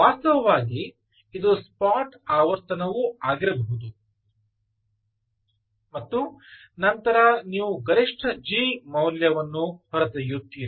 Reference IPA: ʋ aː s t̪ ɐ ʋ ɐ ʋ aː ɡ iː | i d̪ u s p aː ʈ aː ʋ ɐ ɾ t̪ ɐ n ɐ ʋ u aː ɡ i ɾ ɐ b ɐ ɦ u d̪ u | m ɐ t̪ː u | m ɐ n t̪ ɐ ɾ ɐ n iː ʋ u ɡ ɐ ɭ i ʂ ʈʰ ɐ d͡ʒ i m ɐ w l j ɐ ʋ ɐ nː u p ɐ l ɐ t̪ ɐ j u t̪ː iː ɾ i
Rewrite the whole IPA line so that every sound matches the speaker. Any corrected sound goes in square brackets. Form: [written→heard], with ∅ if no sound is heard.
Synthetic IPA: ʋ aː s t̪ ɐ ʋ ɐ ʋ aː ɡ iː | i d̪ u s p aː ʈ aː ʋ ɐ ɾ t̪ ɐ n ɐ ʋ u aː ɡ i ɾ ɐ b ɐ ɦ u d̪ u | m ɐ t̪ː u | [m→n] ɐ n t̪ ɐ ɾ ɐ n iː ʋ u ɡ ɐ [ɭ→ɾ] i ʂ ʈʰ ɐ d͡ʒ i m ɐ w l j ɐ ʋ ɐ nː u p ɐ [l→ɾ] ɐ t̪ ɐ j u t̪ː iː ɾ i